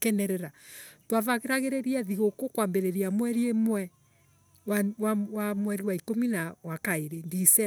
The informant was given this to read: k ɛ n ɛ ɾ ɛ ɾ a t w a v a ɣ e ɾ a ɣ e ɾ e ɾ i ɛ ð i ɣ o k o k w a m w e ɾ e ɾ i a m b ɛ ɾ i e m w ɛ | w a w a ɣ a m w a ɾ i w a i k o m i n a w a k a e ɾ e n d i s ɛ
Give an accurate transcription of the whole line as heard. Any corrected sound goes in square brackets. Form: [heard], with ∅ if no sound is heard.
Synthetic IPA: k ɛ n ɛ ɾ ɛ ɾ a t w a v a ɣ e ɾ a ɣ e ɾ e ɾ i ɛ ð i ɣ o k o k w a m [b] e ɾ e ɾ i a m [w] ɛ ɾ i e m w ɛ | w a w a [w] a m w [ɛ] ɾ i w a i k o m i n a w a k a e ɾ e n d i s ɛ

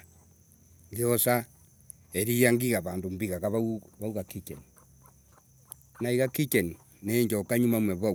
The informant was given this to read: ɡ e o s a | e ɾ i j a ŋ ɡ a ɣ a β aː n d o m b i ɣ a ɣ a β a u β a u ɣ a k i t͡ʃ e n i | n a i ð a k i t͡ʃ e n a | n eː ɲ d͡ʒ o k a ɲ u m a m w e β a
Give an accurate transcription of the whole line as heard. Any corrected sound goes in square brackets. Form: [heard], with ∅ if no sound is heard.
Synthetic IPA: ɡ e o s a | e ɾ i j a ŋ ɡ [i] ɣ a β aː n d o m b i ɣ a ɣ a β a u β a u ɣ a k i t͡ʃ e n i | n a i [ɣ] a k i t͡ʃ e n [i] | n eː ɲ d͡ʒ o k a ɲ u m a m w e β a

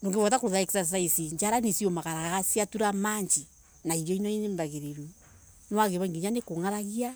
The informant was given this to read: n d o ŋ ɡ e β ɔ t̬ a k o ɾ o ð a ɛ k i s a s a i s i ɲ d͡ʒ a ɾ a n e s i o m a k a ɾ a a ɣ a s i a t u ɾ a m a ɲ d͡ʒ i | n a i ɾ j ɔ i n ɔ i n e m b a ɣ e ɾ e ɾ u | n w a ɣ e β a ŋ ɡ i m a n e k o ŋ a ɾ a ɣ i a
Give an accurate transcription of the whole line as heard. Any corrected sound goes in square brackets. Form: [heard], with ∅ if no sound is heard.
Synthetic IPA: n d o ŋ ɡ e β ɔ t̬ a k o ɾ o ð a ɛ k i s a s a i s i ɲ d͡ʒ a ɾ a n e s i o m a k a ɾ a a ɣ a s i a t u ɾ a m a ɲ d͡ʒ i | n a i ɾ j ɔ i n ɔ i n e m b a ɣ e ɾ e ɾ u | n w a ɣ e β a ŋ ɡ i [ɲ] a n e k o ŋ a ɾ a ɣ i a

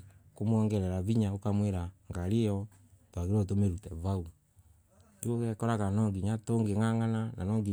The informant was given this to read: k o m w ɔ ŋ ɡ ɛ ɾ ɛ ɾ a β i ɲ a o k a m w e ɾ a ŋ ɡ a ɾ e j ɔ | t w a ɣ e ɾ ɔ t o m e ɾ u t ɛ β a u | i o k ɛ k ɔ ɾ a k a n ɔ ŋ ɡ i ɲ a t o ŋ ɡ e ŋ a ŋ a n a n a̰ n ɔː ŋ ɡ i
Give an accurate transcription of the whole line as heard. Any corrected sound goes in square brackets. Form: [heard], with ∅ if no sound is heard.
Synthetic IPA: k o m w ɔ ŋ ɡ ɛ ɾ ɛ ɾ a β i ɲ a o k a m w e ɾ a ŋ ɡ a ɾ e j ɔ | t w a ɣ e ɾ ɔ t o m e ɾ u t ɛ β a u | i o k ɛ k ɔ ɾ a k a n ɔ ŋ ɡ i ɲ a t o ŋ ɡ e ŋ a ŋ a n a n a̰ n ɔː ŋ ɡ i

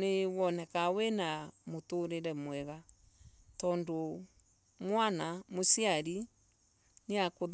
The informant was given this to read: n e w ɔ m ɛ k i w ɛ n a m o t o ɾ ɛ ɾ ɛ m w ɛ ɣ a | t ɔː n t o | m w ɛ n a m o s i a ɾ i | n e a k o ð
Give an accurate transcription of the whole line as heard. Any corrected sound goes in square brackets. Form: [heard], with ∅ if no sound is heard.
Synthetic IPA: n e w ɔ [n] ɛ k [a] w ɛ n a m o t o ɾ [e] ɾ ɛ m w ɛ ɣ a | t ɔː n [d] o | m w [a] n a m o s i a ɾ i | n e a k o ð

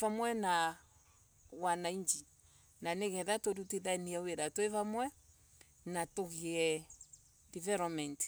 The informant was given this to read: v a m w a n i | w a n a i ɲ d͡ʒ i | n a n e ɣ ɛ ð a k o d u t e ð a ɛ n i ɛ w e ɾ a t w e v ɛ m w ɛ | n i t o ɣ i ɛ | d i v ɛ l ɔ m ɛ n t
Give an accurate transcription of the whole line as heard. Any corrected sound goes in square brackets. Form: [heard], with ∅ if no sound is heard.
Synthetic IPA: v a m w [ɛ] n [a] | w a n a i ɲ d͡ʒ i | n a n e ɣ ɛ ð a [t] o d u t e ð a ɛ n i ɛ w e ɾ a t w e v [a] m w ɛ | n [a] t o ɣ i ɛ | d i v ɛ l ɔ m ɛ n t

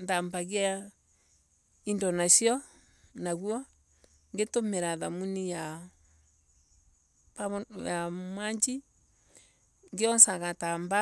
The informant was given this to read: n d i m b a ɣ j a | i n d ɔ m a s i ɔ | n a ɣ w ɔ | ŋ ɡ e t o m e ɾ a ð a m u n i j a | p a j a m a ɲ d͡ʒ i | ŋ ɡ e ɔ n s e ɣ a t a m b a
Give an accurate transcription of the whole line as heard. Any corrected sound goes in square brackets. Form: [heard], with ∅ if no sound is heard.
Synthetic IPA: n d [a] m b a ɣ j a | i n d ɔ [n] a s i ɔ | n a ɣ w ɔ | ŋ ɡ e t o m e ɾ a ð a m u n i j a | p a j a m a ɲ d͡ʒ i | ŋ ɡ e ɔ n s [a] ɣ a t a m b a

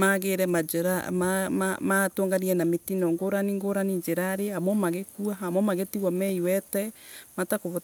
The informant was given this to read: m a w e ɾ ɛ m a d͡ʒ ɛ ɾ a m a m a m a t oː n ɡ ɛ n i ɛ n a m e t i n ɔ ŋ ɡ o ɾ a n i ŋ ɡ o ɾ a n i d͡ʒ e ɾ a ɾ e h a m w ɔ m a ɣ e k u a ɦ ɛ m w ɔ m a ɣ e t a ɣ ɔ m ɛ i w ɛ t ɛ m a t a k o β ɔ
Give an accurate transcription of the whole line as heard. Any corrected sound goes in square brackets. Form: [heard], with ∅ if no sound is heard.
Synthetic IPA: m a [ɣ] e ɾ ɛ m a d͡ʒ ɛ ɾ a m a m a m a t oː [ŋ] ɡ [a] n i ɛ n a m e t i n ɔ ŋ ɡ o ɾ a n i ŋ ɡ o ɾ a n i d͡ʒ e ɾ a ɾ e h a m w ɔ m a ɣ e k u a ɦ [a] m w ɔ m a ɣ e t [i] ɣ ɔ m ɛ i w ɛ t ɛ m a t a k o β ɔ

